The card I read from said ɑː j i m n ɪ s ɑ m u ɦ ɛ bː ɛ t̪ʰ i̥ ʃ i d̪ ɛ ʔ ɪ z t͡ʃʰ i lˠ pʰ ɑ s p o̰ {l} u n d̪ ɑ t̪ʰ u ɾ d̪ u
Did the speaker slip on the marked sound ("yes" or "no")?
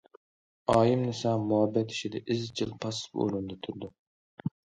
yes